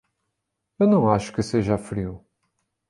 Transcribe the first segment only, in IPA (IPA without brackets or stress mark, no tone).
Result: e